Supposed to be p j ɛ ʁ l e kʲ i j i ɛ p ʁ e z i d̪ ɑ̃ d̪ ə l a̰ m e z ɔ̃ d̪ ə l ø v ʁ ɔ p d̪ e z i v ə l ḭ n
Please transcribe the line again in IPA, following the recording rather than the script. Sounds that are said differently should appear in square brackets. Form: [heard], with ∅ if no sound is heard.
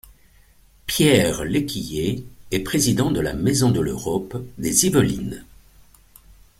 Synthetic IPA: p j ɛ ʁ l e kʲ i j [e] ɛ p [χ] e z i d̪ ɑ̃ d̪ ə l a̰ m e z ɔ̃ d̪ ə l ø [∅] ʁ ɔ p d̪ e z i v ə l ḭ n